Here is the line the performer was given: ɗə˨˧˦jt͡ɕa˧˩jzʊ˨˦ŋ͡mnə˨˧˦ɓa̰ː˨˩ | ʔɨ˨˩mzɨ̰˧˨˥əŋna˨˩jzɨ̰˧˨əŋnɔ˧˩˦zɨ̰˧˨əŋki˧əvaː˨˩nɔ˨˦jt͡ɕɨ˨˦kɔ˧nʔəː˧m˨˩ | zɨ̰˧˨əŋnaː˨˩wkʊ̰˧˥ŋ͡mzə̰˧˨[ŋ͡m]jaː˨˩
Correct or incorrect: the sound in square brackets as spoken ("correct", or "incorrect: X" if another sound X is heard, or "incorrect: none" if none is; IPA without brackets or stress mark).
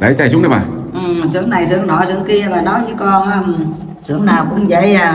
incorrect: none